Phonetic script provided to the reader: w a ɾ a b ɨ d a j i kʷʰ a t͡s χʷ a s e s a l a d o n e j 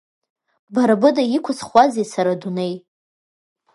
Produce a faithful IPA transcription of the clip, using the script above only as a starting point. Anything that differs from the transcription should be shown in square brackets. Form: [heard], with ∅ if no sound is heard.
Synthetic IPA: [b] a ɾ a b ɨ d a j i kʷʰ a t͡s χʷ a [z] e s a [ɾ] a d [u] n e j